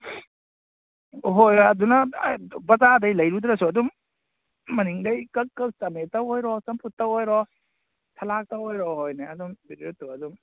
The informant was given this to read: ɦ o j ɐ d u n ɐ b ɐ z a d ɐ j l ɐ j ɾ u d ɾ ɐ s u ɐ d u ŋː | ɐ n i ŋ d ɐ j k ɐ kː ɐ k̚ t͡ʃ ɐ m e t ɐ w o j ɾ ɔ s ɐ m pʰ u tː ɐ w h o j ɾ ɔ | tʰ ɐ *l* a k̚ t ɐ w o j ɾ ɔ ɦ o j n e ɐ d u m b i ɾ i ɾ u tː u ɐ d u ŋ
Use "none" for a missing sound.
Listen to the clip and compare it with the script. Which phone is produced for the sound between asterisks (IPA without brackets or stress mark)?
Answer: l